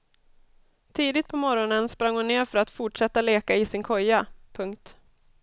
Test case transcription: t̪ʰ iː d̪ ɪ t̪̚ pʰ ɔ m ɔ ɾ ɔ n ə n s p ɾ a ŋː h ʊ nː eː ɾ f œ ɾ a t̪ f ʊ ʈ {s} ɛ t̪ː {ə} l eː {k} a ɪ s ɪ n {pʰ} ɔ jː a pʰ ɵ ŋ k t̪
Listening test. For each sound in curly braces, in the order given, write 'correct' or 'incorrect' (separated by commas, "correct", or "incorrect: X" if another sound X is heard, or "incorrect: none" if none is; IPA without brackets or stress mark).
incorrect: ʂ, incorrect: a, correct, incorrect: kʰ